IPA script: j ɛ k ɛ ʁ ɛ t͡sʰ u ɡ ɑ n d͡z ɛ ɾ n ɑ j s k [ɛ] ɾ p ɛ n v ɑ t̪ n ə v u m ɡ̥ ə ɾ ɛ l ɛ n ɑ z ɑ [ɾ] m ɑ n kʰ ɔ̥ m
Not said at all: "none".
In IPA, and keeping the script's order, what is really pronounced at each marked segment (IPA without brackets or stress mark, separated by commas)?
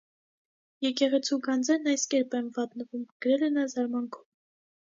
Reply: ɛ, ɾ